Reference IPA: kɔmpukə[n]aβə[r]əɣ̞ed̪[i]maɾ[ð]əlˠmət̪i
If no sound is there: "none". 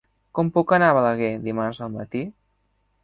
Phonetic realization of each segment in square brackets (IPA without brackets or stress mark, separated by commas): n, l, i, z